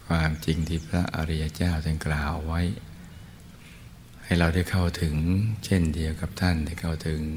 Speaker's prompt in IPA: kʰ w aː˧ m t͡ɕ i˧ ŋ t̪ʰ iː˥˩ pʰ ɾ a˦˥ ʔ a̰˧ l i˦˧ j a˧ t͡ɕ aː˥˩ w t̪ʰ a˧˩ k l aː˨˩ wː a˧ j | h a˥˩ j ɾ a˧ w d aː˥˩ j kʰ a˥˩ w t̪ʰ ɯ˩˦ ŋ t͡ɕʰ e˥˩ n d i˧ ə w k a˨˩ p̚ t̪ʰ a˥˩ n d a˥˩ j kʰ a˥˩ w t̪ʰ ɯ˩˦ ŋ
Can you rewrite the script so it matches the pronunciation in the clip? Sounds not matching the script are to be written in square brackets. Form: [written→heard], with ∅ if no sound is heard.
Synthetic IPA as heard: kʰ w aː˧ m t͡ɕ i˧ ŋ t̪ʰ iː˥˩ pʰ ɾ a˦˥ ʔ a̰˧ [l→ɾ] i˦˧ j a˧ t͡ɕ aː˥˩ w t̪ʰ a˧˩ k l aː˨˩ wː [a˧→a˦˥] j | h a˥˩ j ɾ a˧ w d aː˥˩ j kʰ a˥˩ w t̪ʰ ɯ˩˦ ŋ t͡ɕʰ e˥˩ n d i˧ ə w k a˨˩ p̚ t̪ʰ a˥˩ n d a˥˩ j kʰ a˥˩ w t̪ʰ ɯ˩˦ ŋ